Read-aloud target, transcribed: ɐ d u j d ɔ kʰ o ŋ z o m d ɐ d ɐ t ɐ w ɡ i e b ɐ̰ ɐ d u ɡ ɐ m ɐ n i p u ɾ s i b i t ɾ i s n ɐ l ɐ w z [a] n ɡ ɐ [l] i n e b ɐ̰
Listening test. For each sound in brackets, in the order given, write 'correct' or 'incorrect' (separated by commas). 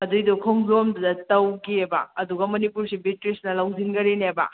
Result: incorrect, incorrect